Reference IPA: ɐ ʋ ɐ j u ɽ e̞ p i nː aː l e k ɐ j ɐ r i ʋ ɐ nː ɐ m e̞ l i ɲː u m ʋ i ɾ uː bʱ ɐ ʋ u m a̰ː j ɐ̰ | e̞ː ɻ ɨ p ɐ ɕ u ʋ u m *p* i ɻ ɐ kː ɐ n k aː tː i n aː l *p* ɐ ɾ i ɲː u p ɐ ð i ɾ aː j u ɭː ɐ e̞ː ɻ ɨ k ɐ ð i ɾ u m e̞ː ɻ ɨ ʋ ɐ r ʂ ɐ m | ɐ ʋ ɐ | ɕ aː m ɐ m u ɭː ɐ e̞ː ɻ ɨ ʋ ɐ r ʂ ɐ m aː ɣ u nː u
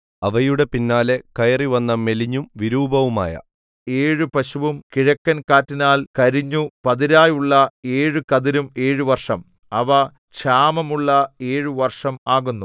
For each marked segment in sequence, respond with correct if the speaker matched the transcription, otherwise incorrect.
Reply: incorrect, incorrect

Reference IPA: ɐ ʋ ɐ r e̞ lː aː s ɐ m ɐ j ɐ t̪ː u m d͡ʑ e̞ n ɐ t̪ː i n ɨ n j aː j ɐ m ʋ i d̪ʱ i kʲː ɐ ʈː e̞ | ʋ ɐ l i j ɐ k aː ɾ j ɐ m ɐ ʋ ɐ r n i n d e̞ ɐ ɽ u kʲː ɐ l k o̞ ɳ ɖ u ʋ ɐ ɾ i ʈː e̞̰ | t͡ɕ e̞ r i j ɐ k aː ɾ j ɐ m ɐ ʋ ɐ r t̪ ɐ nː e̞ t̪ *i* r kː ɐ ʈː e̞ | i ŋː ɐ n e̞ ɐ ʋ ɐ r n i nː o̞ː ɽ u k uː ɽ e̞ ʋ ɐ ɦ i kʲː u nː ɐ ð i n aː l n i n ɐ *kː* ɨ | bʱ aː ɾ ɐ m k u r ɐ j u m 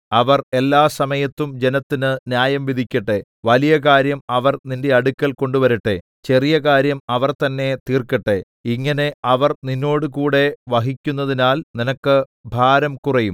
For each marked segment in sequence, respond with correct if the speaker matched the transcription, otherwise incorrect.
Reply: incorrect, correct

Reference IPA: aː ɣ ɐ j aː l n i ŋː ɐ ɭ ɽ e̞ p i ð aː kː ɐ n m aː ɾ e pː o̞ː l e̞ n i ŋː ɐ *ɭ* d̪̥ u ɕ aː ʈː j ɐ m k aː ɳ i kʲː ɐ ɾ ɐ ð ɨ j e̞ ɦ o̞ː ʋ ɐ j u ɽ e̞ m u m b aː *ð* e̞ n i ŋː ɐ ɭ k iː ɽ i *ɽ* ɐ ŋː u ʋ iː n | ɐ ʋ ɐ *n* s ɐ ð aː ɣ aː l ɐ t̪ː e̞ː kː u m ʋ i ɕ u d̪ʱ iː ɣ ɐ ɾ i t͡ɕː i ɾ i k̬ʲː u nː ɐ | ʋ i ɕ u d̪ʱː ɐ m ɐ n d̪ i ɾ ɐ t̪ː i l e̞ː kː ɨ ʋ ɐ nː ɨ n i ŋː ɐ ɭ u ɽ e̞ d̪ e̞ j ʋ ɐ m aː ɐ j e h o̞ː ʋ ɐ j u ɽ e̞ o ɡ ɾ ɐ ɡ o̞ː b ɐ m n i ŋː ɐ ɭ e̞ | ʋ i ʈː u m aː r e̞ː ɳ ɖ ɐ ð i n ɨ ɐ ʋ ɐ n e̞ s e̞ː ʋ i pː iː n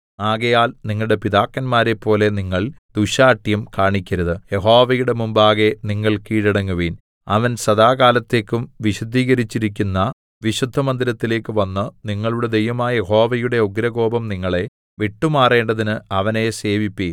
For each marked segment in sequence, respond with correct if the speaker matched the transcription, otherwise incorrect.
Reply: correct, incorrect, correct, correct

